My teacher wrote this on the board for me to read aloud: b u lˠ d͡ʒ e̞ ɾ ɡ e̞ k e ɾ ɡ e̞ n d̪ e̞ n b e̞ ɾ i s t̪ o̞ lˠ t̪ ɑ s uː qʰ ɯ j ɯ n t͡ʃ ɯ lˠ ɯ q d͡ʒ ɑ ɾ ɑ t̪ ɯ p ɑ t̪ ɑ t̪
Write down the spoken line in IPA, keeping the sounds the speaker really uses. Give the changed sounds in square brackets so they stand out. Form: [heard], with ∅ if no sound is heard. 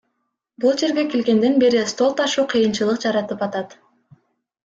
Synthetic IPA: b u lˠ d͡ʒ e̞ ɾ ɡ e̞ k e [l] ɡ e̞ n d̪ e̞ n b e̞ ɾ i s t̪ o̞ lˠ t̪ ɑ [ʃ] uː qʰ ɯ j ɯ n t͡ʃ ɯ lˠ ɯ q d͡ʒ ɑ ɾ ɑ t̪ ɯ p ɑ t̪ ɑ t̪